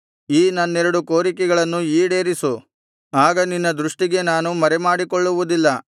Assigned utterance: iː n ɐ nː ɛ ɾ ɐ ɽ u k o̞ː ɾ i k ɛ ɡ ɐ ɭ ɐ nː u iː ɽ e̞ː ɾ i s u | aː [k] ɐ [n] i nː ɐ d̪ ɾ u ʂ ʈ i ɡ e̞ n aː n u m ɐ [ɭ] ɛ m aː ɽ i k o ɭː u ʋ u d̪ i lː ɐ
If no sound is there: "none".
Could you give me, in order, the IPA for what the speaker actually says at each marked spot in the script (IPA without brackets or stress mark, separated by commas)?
ɡ, n, ɾ